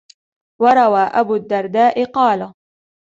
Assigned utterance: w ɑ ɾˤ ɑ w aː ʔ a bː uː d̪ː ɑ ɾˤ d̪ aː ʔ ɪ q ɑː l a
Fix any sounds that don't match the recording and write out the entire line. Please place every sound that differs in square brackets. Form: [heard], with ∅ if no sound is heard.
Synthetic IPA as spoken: w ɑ ɾˤ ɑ w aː ʔ a [b] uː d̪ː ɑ ɾˤ d̪ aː ʔ ɪ q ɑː l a